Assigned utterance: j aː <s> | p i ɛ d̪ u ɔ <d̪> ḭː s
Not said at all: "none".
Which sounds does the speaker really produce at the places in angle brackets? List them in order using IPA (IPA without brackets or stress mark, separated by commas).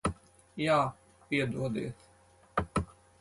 none, d̪